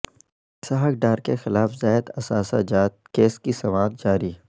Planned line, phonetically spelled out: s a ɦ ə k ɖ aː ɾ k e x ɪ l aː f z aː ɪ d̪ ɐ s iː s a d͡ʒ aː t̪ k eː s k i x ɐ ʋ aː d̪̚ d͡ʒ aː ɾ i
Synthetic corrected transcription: s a ɦ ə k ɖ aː ɾ k e x ɪ l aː f z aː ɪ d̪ ɐ s aː s a d͡ʒ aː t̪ k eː s k i s ɐ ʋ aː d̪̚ d͡ʒ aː ɾ i